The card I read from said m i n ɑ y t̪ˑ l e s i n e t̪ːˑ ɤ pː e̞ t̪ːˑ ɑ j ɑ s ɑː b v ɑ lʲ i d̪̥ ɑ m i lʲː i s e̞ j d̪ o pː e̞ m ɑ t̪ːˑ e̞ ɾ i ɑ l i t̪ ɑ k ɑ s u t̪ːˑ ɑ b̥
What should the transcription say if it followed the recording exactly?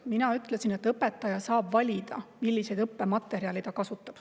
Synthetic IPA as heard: m i n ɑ y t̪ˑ l e s i n e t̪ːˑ ɤ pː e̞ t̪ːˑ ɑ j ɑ s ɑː b v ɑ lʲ i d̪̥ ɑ m i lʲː i s e̞ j d̪ ɤ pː e̞ m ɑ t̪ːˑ e̞ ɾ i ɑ l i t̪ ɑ k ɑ s u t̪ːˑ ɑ b̥